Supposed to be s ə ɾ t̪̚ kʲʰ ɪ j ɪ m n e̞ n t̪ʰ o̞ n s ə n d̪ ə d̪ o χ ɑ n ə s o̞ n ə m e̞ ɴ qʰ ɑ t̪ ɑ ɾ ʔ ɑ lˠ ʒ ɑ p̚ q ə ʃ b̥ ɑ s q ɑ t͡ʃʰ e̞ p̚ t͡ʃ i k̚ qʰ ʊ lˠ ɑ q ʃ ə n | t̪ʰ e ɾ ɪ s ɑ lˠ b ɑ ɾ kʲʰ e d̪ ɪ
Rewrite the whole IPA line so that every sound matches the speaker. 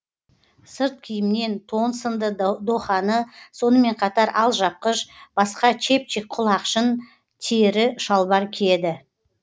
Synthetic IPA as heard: s ə ɾ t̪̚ kʲʰ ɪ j ɪ m n e̞ n t̪ʰ o̞ n s ə n d̪ ə d̪ o χ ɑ n ə s o̞ n ə m e̞ ɴ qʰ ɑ t̪ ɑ ɾ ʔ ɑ lˠ ʒ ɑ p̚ q ə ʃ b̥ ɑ s q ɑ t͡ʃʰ e̞ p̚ t͡ʃ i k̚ qʰ ʊ lˠ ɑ q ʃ ə n | t̪ʰ e ɾ ɪ ʃ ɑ lˠ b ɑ ɾ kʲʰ e d̪ ɪ